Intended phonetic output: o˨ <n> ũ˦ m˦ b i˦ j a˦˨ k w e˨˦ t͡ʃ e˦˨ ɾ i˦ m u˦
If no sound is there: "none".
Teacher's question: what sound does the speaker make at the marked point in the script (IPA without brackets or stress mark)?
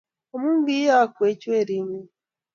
m